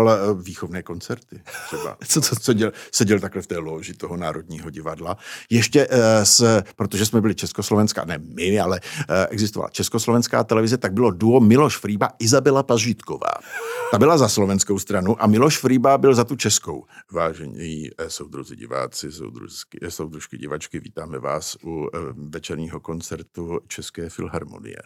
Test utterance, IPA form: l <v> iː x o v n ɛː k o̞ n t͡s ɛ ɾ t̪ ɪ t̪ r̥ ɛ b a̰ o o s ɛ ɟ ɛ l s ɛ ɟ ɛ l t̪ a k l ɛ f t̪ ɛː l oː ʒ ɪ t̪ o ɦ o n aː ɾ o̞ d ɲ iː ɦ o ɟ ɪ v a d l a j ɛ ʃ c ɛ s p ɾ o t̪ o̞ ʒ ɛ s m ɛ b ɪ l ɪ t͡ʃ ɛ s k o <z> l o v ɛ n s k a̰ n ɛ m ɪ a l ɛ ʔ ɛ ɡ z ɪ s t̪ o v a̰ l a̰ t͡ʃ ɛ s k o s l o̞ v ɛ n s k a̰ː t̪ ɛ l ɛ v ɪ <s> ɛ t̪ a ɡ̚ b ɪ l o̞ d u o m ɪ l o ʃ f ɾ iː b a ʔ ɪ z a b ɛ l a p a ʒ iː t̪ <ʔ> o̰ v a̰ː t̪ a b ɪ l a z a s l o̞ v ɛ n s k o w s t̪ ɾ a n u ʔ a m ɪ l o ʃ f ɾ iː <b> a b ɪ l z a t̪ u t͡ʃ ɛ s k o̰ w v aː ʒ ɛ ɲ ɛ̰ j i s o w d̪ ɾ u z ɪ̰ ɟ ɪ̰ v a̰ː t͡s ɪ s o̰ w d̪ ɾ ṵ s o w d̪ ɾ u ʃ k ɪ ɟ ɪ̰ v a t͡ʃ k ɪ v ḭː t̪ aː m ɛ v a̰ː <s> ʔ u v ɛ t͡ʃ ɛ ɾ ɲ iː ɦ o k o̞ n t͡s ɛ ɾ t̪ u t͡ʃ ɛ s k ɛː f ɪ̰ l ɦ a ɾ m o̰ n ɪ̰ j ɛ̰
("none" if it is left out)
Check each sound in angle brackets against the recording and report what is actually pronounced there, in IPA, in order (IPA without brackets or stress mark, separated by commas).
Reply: v, s, z, k, b, s